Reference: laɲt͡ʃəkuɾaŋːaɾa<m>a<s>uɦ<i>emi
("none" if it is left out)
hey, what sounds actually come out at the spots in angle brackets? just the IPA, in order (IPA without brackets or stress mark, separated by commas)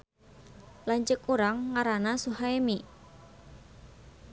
n, s, a